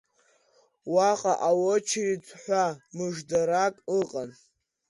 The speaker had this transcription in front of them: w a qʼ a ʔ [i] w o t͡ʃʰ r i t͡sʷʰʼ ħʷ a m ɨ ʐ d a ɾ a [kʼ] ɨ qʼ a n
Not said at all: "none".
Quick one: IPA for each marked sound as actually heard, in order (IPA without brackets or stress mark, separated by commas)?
a, kʼ